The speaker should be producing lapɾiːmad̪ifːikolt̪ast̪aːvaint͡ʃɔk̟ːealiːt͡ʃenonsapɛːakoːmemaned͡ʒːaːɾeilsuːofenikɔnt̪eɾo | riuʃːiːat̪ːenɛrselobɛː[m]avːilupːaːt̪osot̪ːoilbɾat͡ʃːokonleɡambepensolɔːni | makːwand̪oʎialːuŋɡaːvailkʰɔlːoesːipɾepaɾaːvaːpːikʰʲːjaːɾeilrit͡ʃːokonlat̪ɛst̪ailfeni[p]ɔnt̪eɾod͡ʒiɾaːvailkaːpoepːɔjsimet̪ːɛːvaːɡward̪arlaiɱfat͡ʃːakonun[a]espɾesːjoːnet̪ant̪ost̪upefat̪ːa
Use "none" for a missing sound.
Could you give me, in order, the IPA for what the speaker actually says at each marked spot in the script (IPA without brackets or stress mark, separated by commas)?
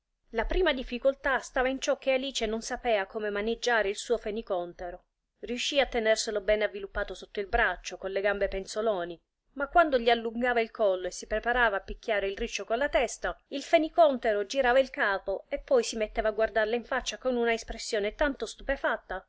n, k, a